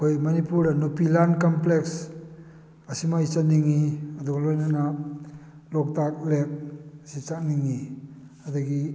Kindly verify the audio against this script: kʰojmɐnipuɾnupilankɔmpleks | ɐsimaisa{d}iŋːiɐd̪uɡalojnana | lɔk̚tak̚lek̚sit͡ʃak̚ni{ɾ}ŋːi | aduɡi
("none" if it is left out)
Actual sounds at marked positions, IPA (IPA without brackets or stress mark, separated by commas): n, none